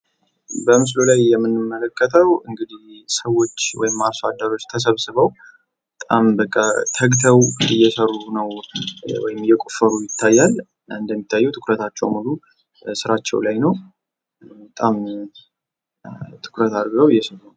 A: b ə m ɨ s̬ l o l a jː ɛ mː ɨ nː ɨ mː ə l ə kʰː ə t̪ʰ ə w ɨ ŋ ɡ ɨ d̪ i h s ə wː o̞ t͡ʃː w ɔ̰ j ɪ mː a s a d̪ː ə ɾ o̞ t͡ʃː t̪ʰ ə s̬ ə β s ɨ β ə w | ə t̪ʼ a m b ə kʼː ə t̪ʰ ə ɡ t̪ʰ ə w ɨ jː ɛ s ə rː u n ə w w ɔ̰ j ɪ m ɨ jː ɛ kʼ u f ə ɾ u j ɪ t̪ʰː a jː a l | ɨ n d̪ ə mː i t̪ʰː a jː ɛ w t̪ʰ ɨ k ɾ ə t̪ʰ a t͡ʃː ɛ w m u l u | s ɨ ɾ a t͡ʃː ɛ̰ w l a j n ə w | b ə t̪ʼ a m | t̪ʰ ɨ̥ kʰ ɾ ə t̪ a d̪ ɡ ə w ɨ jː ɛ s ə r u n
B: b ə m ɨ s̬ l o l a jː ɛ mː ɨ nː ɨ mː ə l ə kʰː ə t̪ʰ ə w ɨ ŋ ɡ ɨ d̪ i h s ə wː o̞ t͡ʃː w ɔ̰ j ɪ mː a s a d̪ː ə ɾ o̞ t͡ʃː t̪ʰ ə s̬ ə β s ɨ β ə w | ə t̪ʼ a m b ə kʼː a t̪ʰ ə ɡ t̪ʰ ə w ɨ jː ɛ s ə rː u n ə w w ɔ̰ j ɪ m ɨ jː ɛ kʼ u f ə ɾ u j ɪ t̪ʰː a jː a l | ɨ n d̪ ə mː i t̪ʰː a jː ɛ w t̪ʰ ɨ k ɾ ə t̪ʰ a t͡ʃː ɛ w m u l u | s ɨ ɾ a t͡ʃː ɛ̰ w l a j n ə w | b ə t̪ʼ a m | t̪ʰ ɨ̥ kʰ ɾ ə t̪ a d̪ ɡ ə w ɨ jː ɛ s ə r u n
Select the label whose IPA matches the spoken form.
B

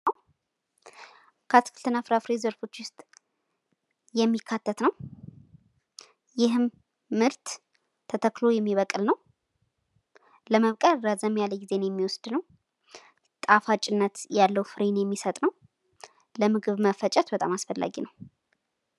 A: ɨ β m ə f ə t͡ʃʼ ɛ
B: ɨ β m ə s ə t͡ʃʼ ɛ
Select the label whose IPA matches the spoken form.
A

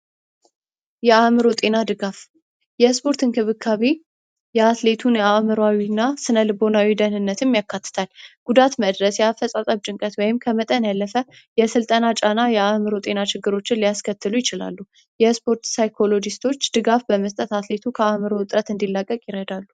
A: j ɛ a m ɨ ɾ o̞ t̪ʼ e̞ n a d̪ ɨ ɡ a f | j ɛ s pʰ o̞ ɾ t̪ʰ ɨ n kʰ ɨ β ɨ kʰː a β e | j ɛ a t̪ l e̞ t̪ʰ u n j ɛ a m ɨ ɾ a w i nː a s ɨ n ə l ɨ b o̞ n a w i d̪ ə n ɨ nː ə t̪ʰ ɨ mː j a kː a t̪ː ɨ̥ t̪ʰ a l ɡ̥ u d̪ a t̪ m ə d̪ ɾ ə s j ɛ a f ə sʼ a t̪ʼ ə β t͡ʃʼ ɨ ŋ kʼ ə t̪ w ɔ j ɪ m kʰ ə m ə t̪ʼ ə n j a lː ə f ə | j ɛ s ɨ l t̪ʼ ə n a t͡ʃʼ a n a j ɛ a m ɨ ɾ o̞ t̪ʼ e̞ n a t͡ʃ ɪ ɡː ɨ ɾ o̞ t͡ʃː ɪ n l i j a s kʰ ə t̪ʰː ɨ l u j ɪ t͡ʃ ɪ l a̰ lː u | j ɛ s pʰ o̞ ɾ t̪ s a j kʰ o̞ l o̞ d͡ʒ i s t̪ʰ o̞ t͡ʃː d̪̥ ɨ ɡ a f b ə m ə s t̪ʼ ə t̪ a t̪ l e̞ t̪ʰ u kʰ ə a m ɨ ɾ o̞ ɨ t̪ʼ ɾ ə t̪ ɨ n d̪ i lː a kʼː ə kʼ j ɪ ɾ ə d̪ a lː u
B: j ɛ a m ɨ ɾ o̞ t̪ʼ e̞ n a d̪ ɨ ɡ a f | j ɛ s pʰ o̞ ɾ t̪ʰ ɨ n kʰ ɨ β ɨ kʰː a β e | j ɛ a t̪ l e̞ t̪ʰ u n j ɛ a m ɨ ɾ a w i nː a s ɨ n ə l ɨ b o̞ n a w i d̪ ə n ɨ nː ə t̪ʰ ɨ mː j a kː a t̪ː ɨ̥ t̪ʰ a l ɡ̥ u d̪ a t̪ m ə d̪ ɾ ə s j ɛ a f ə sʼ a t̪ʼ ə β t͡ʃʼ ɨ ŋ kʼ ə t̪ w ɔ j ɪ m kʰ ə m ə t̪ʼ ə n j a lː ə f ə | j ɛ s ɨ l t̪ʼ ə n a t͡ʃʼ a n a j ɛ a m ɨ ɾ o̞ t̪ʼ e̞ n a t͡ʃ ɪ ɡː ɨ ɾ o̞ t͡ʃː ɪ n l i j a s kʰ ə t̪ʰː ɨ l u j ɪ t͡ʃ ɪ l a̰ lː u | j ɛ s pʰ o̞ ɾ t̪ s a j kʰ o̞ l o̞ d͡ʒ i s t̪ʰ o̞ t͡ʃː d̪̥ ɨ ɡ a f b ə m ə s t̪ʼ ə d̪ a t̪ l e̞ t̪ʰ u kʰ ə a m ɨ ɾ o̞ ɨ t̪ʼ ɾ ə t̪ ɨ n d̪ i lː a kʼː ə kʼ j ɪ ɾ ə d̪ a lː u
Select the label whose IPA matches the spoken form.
A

